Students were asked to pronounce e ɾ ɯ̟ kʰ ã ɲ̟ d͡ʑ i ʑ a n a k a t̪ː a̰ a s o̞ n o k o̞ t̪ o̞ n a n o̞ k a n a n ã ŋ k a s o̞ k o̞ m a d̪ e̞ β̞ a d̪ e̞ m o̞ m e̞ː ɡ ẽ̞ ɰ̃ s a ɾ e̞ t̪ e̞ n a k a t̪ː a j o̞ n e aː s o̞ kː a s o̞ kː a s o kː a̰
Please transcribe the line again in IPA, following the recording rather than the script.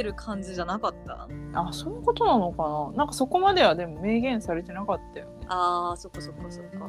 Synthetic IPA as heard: e ɾ ɯ̟ kʰ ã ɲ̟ d͡ʑ i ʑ a n a k a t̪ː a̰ a s o̞ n o k o̞ t̪ o̞ n a n o̞ k a n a n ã ŋ k a s o̞ k o̞ m a d̪ e̞ β̞ a d̪ e̞ m o̞ m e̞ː ɡ ẽ̞ ɰ̃ s a ɾ e̞ t̪ e̞ n a k a t̪ː a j o̞ n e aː s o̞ kː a s o̞ kː a s o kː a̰